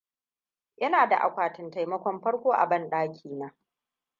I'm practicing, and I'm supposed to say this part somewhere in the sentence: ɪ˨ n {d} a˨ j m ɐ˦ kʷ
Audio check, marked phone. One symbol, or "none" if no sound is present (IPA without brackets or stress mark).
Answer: t